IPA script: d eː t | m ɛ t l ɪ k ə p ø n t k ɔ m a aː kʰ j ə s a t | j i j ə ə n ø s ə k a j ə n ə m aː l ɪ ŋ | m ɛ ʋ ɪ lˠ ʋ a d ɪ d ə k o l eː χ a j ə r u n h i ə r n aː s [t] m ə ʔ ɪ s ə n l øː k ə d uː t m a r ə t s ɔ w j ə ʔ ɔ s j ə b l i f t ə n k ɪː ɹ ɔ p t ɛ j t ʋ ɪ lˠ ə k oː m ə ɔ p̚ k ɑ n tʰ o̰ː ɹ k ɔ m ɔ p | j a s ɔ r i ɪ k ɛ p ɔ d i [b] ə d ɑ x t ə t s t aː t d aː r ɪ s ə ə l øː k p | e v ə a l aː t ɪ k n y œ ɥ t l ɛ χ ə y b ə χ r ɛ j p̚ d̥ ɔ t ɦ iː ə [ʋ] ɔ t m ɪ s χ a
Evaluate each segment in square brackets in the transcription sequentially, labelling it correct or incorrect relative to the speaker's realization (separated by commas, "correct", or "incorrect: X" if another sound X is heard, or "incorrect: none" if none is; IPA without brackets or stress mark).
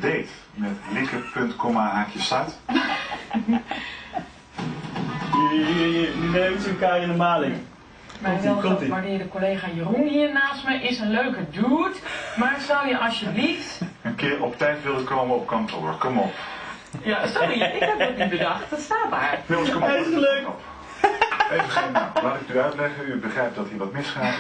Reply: correct, correct, correct